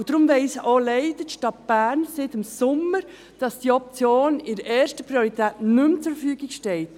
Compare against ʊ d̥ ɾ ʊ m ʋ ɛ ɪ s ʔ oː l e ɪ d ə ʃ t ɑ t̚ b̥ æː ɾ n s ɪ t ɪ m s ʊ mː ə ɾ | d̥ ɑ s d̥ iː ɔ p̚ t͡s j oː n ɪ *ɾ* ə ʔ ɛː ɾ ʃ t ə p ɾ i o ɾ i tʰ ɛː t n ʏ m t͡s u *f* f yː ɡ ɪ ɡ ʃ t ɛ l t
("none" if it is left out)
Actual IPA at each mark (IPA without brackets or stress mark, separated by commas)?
ɾ, f